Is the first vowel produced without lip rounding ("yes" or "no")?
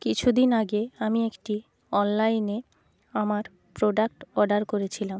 yes